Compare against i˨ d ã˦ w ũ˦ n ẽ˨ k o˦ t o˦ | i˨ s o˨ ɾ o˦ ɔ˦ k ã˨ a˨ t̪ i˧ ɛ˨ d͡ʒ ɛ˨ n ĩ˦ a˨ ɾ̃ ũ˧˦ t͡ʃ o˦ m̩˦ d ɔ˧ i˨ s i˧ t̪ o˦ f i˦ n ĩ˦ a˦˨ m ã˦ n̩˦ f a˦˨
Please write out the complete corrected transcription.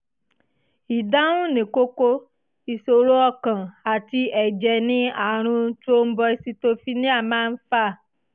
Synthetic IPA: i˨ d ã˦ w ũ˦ n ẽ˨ k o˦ k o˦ | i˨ s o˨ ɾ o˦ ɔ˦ k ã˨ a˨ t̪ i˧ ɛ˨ d͡ʒ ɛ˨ n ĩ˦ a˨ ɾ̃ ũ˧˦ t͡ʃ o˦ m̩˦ b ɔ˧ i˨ s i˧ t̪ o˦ f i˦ n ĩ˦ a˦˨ m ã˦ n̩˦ f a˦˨